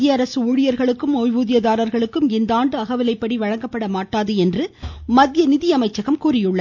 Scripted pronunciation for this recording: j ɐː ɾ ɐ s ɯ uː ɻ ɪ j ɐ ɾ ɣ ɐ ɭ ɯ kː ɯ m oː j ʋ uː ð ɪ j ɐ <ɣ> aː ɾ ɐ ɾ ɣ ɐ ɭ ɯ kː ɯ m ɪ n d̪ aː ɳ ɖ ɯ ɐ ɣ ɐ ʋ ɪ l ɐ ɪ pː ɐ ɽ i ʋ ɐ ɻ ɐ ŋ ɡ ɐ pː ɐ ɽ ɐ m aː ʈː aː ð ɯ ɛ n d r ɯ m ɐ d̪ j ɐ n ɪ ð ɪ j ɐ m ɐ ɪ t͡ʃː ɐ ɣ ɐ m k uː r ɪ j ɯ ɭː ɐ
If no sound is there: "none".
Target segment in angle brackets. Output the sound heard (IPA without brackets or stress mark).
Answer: ð